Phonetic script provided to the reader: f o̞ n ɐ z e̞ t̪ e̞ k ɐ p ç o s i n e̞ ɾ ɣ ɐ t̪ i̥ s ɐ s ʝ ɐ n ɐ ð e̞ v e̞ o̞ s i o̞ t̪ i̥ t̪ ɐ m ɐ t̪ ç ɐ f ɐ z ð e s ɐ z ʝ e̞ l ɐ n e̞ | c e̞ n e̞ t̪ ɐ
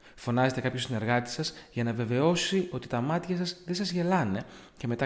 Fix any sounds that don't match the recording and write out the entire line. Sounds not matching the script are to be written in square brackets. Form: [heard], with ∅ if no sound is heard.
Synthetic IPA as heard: f o̞ n ɐ z e̞ t̪ e̞ k ɐ p ç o s i n e̞ ɾ ɣ ɐ t̪ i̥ s ɐ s ʝ ɐ n ɐ [v] e̞ v e̞ o̞ s i o̞ t̪ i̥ t̪ ɐ m ɐ t̪ ç ɐ [s] ɐ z ð e s ɐ z ʝ e̞ l ɐ n e̞ | c e̞ [m] e̞ t̪ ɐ